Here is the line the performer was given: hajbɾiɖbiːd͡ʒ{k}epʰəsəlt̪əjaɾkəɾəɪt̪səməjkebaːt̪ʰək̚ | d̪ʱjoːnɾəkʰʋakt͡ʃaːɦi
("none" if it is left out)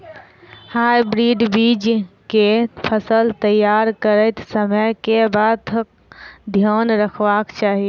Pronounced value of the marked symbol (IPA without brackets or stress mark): k